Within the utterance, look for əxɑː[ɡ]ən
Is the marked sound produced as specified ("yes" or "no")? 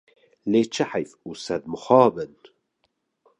no